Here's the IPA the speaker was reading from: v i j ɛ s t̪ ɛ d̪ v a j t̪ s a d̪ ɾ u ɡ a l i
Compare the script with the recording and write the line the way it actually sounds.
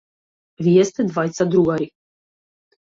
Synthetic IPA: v i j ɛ s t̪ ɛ d̪ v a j t̪ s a d̪ ɾ u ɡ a ɾ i